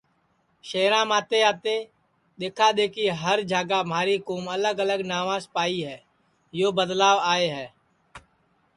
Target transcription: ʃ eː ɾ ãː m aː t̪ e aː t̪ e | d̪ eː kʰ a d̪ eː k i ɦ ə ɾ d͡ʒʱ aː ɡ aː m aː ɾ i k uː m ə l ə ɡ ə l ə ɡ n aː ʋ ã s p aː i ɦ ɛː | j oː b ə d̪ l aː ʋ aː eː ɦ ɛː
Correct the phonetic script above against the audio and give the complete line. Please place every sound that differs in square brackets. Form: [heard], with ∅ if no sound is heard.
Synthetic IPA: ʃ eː ɾ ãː m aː t̪ e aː t̪ e | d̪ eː kʰ a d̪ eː k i ɦ ə ɾ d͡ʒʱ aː ɡ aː m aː ɾ i k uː m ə l ə ɡ ə l ə ɡ n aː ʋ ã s p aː i ɦ ɛː | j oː b ə d̪ l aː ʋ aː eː ɦ ɛː